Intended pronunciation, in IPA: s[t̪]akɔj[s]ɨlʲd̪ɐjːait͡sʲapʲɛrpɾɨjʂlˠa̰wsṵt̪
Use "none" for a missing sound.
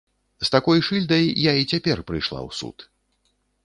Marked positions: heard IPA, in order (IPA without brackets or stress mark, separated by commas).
t̪, ʂ